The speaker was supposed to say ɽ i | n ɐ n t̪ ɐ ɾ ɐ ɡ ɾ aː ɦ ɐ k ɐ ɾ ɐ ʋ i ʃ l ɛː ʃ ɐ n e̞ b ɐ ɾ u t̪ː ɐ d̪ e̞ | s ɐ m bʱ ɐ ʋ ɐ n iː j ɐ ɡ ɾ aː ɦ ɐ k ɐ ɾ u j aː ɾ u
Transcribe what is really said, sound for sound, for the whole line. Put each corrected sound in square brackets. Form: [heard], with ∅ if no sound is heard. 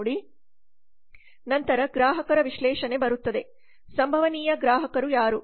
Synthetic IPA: ɽ i | n ɐ n t̪ ɐ ɾ ɐ ɡ ɾ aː ɦ ɐ k ɐ ɾ ɐ ʋ i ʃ l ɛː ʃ ɐ n e̞ b ɐ ɾ u t̪ː ɐ d̪ e̞ | s ɐ m bʱ ɐ ʋ ɐ n iː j ɐ ɡ ɾ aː ɦ ɐ k ɐ ɾ u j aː ɾ u